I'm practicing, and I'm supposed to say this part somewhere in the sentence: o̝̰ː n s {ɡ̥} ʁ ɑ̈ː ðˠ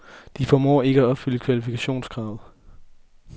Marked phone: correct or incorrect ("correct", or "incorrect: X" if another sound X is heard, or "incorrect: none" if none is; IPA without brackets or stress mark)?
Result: correct